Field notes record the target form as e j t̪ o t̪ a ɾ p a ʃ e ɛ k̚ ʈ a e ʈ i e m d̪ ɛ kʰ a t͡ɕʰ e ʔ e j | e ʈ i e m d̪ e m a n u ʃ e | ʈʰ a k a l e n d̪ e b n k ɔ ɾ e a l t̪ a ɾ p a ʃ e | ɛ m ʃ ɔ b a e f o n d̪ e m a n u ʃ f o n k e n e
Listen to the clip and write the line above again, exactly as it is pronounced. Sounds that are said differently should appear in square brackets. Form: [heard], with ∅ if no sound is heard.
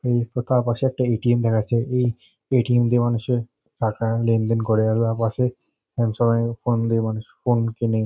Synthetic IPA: e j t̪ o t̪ a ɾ p a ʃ e ɛ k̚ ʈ a e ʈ i e m d̪ ɛ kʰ a t͡ɕʰ e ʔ e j | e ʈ i e m d̪ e m a n u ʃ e | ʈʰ a k a l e n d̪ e [∅] n k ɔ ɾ e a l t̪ a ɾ p a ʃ e | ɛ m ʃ ɔ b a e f o n d̪ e m a n u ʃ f o n k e n e